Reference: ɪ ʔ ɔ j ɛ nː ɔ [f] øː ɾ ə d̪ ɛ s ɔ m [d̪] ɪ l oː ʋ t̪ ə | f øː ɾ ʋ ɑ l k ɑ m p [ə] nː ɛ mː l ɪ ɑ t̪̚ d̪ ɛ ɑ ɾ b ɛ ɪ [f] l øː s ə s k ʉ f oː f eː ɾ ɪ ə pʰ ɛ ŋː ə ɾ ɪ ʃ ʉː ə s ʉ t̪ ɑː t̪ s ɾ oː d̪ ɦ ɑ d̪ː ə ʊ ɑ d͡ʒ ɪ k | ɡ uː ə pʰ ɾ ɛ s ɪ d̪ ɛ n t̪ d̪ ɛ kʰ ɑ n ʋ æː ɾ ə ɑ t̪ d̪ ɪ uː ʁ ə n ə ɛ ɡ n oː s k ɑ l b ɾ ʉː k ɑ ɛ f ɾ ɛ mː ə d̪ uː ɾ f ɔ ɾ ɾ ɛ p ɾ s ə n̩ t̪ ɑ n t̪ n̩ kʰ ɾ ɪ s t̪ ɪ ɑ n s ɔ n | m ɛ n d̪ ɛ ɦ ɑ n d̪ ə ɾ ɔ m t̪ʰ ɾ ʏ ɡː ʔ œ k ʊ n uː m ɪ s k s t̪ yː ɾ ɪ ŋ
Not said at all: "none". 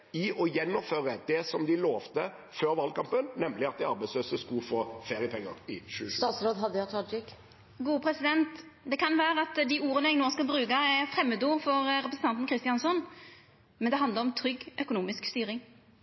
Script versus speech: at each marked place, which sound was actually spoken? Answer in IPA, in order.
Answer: f, d̪, ə, s

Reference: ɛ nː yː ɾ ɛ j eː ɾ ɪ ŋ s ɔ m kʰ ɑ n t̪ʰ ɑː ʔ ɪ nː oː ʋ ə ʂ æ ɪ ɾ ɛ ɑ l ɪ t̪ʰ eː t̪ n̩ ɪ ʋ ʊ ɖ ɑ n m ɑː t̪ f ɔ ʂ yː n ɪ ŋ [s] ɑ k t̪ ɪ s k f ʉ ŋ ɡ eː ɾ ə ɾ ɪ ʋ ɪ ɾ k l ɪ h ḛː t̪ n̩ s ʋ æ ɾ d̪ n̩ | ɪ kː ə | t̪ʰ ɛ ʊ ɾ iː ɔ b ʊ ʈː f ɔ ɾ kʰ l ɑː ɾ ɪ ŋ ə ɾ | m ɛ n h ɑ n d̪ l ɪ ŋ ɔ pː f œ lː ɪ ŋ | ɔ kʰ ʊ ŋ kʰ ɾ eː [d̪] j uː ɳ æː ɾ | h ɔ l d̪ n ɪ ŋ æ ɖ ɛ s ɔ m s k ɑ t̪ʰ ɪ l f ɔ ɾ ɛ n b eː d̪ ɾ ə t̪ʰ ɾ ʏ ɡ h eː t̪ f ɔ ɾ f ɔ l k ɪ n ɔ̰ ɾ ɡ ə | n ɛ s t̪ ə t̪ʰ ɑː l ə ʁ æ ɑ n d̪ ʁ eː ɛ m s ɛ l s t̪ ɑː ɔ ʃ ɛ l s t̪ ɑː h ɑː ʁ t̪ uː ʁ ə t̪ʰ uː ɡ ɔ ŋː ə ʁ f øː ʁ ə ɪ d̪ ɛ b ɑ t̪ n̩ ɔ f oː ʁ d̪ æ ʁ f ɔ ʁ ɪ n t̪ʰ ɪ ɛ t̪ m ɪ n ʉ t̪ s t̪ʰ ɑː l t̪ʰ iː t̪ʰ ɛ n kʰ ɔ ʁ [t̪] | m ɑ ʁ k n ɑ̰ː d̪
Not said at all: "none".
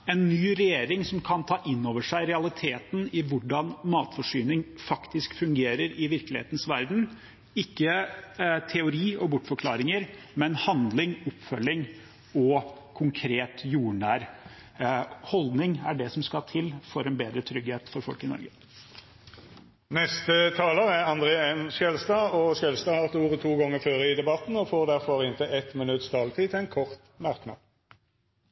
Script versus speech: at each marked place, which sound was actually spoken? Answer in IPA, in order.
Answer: f, t̪, t̪

